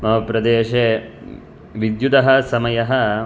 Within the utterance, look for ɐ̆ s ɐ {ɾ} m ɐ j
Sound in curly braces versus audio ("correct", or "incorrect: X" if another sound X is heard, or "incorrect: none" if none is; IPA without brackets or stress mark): incorrect: none